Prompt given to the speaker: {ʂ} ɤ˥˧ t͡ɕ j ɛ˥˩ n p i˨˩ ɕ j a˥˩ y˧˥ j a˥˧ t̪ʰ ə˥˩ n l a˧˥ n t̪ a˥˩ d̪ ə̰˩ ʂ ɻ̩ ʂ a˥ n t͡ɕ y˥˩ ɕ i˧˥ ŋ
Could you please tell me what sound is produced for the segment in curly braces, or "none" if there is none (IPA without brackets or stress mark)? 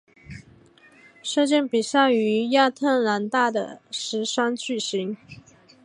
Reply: ʂ